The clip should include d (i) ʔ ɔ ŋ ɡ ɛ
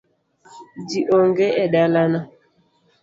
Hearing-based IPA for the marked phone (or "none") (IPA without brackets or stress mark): i